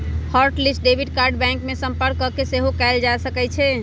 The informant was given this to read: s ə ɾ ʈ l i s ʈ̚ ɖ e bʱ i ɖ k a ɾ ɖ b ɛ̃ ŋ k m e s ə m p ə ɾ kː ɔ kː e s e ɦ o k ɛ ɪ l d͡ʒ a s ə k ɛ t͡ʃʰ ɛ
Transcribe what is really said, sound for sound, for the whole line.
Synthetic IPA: h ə ɾ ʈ l i s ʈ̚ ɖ e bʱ i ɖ k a ɾ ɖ b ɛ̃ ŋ k m e s ə m p ə ɾ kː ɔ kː e s e ɦ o k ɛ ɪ l d͡ʒ a s ə k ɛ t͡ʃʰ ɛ